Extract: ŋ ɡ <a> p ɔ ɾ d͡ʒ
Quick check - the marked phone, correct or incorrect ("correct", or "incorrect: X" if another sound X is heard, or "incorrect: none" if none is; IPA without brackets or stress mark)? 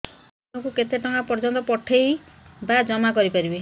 correct